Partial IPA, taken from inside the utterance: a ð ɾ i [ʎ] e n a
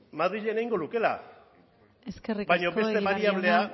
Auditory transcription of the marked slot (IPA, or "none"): ʎ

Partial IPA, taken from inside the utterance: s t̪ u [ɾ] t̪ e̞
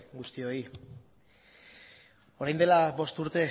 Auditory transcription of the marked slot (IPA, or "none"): ɾ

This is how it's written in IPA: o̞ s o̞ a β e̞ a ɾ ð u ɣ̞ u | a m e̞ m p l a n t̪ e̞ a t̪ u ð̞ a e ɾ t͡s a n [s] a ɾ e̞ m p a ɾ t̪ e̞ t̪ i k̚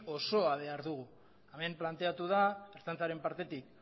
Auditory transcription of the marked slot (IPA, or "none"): t͡s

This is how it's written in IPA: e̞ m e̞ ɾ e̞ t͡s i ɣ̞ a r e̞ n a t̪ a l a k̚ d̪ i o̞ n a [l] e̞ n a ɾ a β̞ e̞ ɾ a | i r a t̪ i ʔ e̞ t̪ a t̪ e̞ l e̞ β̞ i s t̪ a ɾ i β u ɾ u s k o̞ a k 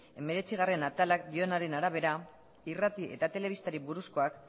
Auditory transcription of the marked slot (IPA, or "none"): ɾ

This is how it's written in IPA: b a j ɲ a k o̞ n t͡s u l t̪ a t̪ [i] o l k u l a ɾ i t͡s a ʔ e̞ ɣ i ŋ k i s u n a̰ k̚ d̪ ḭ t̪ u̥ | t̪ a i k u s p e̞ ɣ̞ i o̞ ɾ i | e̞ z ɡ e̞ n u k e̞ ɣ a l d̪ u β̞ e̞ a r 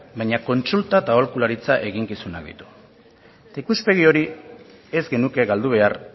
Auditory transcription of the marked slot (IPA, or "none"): a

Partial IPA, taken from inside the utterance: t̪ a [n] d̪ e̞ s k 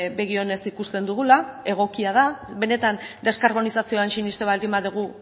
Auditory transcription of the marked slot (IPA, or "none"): n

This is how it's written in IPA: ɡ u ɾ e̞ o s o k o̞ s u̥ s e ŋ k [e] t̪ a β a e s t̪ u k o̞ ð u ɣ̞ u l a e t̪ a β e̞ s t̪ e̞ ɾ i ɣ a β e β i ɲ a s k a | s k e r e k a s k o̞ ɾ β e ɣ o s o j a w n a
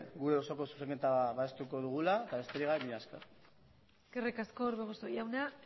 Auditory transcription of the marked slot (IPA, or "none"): e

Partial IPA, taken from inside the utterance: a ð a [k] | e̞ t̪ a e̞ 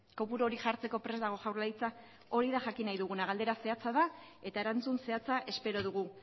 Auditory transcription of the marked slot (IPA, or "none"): none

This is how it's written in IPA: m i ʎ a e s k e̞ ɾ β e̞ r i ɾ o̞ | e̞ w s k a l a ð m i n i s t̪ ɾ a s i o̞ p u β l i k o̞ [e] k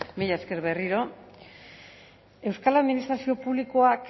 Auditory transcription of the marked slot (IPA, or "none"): a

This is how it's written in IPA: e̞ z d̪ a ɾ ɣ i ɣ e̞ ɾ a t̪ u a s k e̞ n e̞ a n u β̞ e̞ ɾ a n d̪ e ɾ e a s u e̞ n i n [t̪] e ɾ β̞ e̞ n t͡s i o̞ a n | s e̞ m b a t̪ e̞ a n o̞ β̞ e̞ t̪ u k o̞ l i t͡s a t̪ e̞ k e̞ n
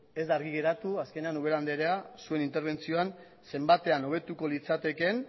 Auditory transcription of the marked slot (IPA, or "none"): t̪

